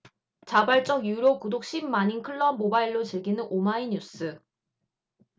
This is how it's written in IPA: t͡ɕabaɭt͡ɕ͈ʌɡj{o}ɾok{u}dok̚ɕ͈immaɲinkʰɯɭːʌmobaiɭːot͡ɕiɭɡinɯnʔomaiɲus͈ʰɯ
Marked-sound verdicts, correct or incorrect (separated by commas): incorrect, correct